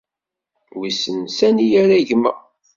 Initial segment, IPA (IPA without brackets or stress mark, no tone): w